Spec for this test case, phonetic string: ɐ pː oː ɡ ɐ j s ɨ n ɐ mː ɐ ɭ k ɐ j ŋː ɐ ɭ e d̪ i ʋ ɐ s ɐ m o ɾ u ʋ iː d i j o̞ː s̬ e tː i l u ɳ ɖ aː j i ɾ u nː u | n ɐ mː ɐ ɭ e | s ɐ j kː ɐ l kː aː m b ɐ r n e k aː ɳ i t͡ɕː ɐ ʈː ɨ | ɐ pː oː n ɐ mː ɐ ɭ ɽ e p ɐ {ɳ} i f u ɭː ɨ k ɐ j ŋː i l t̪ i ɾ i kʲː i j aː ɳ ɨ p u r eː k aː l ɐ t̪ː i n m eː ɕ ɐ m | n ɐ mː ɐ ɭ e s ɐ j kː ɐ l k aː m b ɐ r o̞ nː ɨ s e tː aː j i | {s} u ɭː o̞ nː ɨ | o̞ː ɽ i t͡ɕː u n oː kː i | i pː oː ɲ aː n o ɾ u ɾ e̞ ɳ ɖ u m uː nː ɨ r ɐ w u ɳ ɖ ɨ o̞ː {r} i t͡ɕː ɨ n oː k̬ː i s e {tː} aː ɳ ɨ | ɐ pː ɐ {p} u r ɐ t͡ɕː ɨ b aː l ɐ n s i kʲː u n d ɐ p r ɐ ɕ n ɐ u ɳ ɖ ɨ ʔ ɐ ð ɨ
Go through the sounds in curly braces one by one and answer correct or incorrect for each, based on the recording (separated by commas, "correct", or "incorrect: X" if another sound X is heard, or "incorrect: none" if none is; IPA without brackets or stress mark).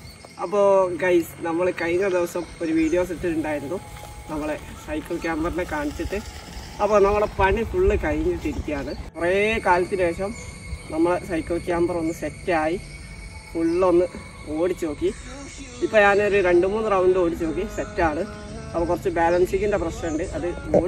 correct, incorrect: f, incorrect: ɽ, correct, incorrect: k